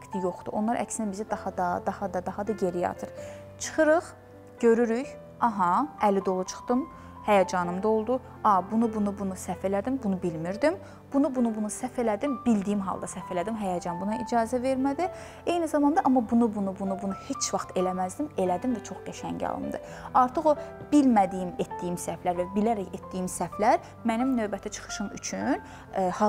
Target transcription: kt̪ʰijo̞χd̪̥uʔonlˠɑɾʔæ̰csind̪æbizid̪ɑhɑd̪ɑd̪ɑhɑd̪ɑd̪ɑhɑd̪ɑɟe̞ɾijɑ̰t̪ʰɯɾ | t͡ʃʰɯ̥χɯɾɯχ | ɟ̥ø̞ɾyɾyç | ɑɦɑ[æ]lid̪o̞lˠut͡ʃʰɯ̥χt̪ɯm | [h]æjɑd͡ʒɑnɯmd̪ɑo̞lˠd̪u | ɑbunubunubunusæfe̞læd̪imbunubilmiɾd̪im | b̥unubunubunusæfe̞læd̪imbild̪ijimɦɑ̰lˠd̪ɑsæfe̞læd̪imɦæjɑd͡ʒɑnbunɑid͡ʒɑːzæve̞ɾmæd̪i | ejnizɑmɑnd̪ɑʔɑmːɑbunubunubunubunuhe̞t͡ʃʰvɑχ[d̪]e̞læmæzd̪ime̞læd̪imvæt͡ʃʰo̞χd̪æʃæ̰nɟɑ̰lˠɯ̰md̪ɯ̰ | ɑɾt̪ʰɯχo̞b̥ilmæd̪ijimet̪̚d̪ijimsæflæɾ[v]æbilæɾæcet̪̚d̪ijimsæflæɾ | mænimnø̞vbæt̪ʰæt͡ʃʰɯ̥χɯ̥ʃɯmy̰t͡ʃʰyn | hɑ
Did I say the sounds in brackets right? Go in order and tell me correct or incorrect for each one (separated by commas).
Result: correct, correct, incorrect, correct